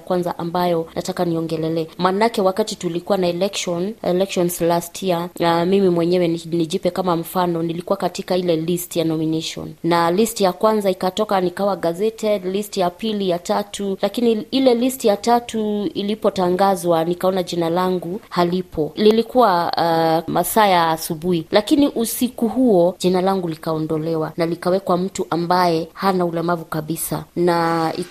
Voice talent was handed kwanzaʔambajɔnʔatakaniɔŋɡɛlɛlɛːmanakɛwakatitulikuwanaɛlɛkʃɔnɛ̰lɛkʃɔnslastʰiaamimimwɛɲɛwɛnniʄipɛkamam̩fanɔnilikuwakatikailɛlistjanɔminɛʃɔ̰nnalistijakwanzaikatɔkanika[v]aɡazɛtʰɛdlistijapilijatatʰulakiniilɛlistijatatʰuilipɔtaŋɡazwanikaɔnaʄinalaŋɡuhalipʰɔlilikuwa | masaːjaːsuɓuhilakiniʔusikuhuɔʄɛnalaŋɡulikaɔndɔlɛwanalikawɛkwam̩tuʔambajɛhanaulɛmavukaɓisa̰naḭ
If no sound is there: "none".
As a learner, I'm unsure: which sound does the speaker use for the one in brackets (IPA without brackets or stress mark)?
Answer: w